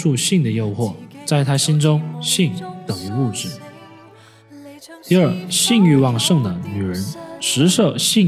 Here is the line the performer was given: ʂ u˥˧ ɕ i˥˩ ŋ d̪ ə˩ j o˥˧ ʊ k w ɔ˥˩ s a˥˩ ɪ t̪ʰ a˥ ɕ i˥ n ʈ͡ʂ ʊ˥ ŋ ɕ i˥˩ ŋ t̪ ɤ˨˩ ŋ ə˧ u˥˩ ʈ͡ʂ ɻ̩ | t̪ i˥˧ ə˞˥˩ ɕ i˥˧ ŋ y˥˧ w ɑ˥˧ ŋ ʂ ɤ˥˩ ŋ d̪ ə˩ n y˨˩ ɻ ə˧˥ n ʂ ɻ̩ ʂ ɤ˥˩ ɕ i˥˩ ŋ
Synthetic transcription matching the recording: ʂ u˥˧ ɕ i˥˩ ŋ d̪ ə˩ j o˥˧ ʊ x w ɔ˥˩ t͡s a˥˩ ɪ t̪ʰ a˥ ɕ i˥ n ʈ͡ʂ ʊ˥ ŋ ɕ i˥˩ ŋ t̪ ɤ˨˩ ŋ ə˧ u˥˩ ʈ͡ʂ ɻ̩ | t̪ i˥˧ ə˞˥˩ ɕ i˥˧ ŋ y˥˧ w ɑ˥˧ ŋ ʂ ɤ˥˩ ŋ d̪ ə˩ n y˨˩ ɻ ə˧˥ n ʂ ɻ̩ ʂ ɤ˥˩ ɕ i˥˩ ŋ